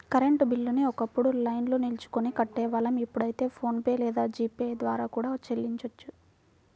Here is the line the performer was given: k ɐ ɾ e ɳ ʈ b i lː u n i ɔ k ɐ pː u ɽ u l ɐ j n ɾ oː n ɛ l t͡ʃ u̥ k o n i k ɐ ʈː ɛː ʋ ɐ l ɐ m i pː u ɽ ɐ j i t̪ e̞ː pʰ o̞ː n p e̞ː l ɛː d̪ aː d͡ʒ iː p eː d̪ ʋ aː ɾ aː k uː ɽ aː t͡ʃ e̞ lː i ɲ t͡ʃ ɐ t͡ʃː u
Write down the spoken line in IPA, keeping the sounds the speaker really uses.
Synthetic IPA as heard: k ɐ ɾ e ɳ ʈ b i lː u n i ɔ k ɐ pː u ɽ u l ɐ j n l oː n i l t͡ʃ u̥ k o n i k ɐ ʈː ɛː ʋ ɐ l ɐ m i pː u ɽ ɐ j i t̪ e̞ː pʰ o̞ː n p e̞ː l ɛː d̪ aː d͡ʒ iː p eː d̪ ʋ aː ɾ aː k uː ɽ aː t͡ʃ e̞ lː i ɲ t͡ʃ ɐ t͡ʃː u